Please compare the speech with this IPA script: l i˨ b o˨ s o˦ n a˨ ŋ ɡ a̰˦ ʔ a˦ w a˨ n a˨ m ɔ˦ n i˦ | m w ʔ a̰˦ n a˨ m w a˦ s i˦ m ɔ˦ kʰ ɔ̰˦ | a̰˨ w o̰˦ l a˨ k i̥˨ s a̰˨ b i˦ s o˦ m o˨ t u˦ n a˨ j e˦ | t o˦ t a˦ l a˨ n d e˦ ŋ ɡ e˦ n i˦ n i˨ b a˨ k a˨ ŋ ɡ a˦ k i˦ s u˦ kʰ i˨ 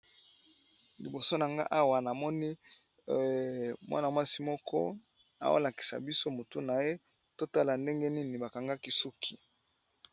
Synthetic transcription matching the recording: l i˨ b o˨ s o˦ n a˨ ŋ ɡ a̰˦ ʔ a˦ w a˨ n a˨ m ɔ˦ n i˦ | m w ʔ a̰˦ n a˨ m w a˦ s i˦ m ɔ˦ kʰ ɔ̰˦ | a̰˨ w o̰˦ l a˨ k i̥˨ s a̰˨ b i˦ s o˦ m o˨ t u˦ n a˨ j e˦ | t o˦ t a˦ l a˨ n d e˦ ŋ ɡ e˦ n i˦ n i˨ b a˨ k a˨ ŋ ɡ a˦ k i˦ s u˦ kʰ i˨